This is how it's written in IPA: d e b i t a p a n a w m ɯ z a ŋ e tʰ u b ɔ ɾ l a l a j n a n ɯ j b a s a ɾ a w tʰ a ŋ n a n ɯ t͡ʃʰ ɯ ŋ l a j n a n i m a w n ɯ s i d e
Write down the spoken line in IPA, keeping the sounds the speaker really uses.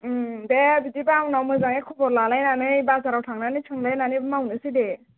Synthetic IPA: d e b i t i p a n a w m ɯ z a ŋ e kʰ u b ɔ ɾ l a l a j n a n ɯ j b a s a ɾ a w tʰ a ŋ n a n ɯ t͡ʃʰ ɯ ŋ l a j n a n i m a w n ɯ s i d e